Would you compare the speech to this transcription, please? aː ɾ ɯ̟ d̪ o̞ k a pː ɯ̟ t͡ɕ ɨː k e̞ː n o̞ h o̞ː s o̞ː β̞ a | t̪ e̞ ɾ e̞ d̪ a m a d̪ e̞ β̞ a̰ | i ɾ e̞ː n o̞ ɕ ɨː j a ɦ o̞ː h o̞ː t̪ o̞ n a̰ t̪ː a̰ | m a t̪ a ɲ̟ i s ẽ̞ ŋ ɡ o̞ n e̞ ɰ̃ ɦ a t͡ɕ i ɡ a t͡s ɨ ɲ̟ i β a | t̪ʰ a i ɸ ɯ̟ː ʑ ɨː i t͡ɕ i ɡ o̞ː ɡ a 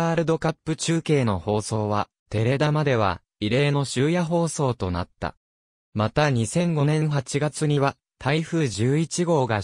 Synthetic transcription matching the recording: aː ɾ ɯ̟ d̪ o̞ k a pː ɯ̟ t͡ɕ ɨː k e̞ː n o̞ h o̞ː s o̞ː β̞ a | t̪ e̞ ɾ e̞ d̪ a m a d̪ e̞ β̞ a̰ | i ɾ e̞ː n o̞ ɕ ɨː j a ɦ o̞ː s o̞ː t̪ o̞ n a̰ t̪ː a̰ | m a t̪ a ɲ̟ i s ẽ̞ ŋ ɡ o̞ n ẽ̞ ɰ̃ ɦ a t͡ɕ i ɡ a t͡s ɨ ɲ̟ i β a | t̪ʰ a i ɸ ɯ̟ː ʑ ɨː i t͡ɕ i ɡ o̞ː ɡ a